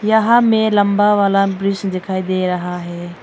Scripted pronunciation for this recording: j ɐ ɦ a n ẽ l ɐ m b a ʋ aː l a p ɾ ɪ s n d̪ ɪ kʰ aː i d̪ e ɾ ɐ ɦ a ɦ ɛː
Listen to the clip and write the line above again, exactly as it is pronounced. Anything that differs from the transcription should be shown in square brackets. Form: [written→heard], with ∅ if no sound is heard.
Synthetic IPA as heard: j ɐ ɦ a [n→m] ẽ l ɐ m b a ʋ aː l a [p→b] ɾ ɪ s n d̪ ɪ kʰ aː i d̪ e ɾ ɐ ɦ a ɦ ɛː